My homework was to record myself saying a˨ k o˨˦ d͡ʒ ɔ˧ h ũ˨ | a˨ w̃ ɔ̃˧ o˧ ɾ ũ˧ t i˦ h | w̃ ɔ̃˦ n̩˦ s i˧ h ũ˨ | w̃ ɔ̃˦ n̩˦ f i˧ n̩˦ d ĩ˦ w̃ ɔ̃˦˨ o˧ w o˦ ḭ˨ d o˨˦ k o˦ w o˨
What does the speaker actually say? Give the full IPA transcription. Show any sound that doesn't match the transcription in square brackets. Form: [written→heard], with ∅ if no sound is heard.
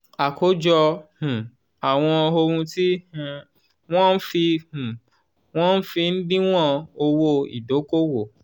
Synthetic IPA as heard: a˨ k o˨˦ d͡ʒ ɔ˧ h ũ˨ | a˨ w̃ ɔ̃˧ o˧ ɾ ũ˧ t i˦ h | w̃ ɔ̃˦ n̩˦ [s→f] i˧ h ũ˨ | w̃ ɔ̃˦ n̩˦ f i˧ n̩˦ d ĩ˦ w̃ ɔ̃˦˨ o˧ w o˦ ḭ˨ d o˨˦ k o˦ w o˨